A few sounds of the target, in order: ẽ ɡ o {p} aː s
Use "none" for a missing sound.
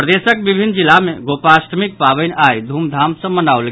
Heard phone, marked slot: p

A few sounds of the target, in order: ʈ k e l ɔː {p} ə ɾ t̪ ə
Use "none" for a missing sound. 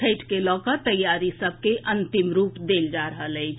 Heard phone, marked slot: k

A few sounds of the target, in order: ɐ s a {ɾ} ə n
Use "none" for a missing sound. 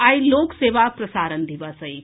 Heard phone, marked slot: ɾ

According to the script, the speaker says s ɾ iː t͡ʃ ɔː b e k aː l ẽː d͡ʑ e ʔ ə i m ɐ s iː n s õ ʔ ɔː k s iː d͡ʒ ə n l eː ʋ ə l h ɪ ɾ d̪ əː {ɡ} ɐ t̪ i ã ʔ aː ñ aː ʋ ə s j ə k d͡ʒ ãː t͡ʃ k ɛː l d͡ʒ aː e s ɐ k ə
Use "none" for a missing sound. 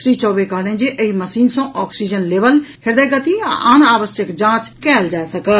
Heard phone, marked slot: ɡ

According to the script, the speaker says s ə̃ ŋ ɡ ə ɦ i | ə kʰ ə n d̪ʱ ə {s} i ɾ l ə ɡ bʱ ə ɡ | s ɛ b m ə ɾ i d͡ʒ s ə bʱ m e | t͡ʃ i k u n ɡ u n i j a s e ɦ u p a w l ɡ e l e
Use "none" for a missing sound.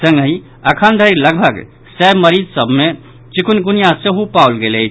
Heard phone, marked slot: none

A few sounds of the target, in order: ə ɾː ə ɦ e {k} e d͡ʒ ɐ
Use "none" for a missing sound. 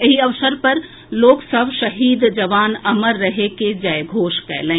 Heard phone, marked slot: k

